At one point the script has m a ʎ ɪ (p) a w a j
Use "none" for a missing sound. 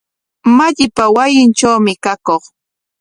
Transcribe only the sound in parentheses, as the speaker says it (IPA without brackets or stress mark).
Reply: p